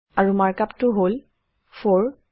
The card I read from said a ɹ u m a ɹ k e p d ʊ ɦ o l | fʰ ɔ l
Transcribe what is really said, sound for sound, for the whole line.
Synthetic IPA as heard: a ɹ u m a ɹ k a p t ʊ ɦ o l | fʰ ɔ ɹ